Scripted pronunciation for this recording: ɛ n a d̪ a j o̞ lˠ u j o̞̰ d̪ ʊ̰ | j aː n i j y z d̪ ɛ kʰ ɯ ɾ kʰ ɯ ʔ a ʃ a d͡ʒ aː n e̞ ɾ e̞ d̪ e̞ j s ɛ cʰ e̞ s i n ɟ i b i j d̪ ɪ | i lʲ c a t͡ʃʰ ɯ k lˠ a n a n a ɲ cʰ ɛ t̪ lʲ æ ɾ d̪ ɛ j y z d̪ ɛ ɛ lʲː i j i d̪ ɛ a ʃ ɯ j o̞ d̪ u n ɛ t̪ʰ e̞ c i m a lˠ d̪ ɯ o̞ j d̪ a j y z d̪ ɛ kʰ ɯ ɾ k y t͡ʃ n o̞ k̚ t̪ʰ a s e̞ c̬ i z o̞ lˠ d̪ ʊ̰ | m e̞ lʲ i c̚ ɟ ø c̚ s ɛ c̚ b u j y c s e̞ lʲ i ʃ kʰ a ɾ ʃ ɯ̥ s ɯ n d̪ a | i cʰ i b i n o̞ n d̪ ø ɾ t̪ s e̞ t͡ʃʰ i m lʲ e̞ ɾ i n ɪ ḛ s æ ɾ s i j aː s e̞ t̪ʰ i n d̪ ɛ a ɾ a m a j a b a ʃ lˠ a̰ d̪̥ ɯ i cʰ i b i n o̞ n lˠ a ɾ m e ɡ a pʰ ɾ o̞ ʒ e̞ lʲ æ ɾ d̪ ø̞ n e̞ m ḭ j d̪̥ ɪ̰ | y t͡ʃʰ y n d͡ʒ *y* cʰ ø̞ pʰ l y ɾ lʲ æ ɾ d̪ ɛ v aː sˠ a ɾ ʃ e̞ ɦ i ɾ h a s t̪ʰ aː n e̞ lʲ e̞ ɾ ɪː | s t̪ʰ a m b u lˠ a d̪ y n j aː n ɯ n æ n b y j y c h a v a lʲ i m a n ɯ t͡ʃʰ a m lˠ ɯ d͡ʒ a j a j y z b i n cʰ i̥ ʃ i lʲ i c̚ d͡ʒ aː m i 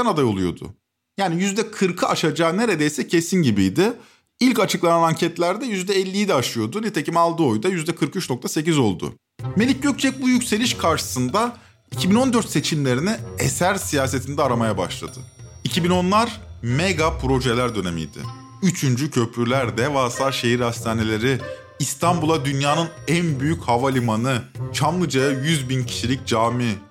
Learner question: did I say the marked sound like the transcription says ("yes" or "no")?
yes